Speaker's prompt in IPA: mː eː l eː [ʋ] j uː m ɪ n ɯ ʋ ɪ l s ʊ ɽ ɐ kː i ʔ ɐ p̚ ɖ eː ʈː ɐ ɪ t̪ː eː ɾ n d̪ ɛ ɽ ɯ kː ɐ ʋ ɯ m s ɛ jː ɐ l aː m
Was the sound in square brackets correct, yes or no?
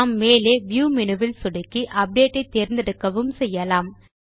yes